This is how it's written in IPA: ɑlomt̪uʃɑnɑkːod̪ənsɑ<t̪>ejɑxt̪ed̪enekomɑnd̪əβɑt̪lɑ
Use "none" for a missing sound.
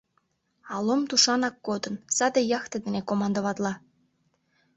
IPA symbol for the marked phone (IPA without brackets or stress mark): d̪